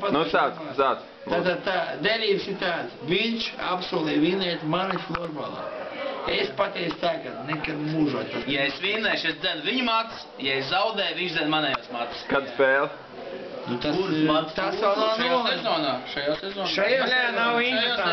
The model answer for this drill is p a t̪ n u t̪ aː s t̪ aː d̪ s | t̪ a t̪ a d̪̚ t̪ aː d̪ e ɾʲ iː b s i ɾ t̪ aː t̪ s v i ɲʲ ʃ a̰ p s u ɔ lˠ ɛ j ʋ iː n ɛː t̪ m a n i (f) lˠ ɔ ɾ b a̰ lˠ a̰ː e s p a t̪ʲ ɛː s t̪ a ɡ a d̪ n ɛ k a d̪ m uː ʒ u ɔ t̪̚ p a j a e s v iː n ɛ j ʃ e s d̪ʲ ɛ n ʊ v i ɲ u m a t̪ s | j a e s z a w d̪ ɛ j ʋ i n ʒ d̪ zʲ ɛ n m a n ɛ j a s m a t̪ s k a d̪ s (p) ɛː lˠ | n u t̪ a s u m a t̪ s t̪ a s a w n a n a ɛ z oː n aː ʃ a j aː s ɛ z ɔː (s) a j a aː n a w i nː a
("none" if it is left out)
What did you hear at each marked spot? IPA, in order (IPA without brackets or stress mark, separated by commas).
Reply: f, p, ʃ